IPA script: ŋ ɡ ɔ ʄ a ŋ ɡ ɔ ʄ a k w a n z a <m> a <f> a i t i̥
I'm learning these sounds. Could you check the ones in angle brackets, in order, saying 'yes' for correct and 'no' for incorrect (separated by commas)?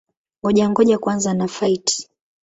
no, yes